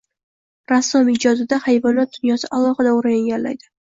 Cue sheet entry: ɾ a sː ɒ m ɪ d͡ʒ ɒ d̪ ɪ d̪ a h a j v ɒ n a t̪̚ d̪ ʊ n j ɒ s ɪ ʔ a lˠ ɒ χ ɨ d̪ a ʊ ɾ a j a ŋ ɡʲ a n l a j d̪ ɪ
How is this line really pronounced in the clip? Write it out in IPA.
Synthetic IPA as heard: ɾ a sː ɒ m ɪ d͡ʒ ɒ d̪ ɪ d̪ a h a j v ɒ n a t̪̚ d̪ ʊ n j ɒ s ɪ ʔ a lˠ ɒ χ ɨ d̪ a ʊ ɾ a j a ŋ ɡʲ a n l a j d̪ ɪ